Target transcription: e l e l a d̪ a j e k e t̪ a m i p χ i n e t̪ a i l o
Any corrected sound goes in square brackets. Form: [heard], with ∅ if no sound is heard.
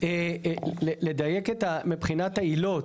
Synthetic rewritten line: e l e l [e] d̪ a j e k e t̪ a m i p χ i n [a] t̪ a i l o